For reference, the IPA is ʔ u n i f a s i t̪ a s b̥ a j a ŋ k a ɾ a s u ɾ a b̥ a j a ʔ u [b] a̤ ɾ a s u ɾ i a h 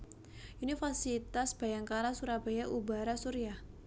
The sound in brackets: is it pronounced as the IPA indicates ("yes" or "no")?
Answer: yes